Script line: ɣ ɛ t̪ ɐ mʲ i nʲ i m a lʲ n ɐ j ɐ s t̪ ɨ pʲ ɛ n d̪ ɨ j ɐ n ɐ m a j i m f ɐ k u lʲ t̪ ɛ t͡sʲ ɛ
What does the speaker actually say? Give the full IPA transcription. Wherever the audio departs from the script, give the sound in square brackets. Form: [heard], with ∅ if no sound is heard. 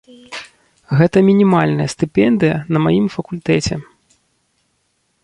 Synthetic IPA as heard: ɣ ɛ t̪ ɐ mʲ i nʲ i m a lʲ n ɐ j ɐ s t̪ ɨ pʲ ɛ n d̪ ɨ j ɐ n ɐ m a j i m f ɐ k u lʲ t̪ ɛ t͡sʲ ɛ